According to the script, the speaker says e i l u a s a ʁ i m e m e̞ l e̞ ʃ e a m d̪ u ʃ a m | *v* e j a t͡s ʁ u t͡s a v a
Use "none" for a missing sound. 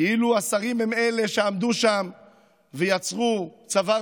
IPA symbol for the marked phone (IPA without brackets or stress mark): v